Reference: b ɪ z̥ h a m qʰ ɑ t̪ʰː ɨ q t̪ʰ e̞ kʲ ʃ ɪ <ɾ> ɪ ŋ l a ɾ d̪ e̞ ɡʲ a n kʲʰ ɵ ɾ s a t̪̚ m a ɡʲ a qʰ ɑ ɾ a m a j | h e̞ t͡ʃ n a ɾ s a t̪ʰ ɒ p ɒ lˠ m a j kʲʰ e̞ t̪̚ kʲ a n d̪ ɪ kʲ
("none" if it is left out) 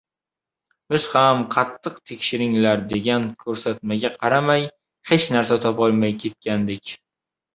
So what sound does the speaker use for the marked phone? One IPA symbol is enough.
ɾ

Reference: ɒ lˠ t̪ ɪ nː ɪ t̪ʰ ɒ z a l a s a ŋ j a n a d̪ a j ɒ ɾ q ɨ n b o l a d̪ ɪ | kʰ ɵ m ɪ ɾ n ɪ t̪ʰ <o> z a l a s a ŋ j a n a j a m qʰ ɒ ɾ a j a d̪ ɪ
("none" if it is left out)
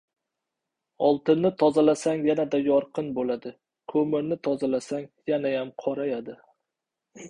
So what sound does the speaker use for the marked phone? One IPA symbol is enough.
ɒ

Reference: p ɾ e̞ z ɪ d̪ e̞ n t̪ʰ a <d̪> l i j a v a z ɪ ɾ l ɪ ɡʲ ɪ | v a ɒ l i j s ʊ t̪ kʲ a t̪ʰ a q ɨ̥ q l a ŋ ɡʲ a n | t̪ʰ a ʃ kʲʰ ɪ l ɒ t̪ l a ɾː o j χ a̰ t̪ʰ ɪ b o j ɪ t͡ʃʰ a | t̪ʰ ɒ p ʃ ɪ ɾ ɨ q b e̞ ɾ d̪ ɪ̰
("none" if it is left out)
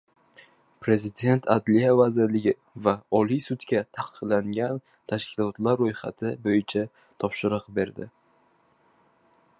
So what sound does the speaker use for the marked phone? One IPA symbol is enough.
d̪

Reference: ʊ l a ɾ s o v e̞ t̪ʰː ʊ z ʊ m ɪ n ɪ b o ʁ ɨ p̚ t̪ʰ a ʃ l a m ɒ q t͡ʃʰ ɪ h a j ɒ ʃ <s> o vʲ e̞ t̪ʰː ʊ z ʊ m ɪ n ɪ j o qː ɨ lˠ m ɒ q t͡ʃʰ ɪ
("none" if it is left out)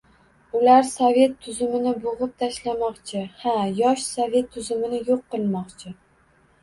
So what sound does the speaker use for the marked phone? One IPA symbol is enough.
s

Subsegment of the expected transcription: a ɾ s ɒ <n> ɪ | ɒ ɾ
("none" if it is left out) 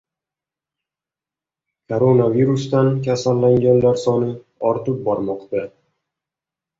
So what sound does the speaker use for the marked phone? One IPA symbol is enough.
n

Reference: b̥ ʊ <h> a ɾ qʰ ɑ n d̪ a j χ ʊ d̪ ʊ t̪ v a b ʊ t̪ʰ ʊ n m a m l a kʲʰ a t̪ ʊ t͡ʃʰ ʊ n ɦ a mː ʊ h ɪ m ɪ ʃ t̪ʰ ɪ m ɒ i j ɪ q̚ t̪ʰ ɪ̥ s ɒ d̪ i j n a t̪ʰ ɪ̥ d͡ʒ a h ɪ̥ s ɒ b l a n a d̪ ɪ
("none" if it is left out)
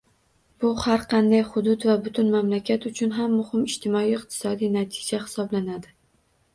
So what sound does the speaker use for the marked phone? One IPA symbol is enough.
h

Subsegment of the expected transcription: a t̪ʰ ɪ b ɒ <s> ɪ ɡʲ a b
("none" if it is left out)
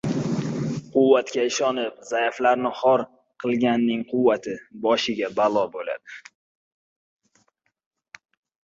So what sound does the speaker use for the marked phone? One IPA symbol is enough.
ʃ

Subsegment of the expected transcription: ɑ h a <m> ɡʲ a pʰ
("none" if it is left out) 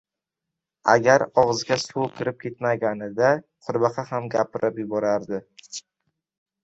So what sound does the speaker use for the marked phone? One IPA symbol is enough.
m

